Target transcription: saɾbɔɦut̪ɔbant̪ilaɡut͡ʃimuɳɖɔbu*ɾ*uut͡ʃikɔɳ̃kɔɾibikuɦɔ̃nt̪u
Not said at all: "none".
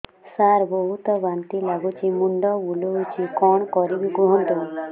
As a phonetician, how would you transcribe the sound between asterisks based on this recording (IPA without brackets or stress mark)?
l